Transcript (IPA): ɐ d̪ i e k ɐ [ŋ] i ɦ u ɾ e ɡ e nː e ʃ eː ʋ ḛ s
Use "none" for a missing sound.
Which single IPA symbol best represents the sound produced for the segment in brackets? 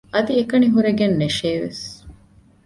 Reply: n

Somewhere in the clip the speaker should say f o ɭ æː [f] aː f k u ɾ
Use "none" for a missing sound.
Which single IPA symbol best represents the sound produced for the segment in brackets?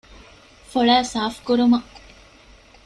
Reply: s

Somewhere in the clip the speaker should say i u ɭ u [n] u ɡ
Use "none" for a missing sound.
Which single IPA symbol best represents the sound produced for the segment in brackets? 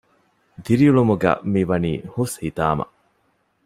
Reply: m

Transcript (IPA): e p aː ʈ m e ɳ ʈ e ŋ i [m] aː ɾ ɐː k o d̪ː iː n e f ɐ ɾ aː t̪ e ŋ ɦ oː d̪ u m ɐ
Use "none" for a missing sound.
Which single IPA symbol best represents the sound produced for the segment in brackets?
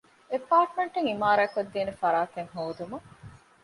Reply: m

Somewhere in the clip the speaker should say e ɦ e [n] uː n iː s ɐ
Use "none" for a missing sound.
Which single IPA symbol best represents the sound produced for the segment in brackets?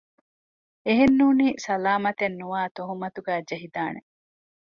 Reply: nː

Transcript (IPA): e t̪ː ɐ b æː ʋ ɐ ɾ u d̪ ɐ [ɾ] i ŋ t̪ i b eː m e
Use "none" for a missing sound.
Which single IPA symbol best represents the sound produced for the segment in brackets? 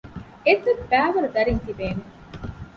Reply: ɾ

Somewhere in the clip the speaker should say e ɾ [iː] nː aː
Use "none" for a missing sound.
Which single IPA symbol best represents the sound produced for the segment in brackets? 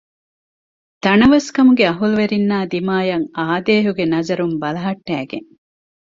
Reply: i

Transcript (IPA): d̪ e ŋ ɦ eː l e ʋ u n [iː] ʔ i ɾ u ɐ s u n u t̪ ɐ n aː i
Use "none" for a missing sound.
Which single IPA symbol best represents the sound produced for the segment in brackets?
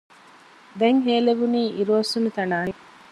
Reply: iː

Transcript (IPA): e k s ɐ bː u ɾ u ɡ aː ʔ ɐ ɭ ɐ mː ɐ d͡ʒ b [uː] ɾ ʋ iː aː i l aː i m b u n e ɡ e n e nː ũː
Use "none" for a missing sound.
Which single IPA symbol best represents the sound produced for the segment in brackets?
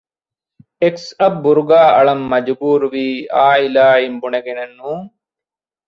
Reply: uː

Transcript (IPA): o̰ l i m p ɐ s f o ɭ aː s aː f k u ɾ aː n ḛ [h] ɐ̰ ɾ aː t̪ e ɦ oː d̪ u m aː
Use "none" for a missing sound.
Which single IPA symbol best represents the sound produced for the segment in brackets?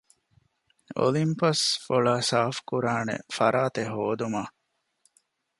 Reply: f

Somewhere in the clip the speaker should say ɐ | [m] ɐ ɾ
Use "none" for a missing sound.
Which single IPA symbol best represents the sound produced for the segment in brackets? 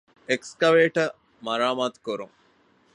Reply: m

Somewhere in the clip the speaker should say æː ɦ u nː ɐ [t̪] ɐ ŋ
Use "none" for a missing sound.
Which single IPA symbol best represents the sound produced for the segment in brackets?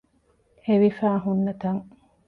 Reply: t̪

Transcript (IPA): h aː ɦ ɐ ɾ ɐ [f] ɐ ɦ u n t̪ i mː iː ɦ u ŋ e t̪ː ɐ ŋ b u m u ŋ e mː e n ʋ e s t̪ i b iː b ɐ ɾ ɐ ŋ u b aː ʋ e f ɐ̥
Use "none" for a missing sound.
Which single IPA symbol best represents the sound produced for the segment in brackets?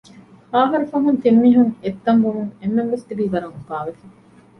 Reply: f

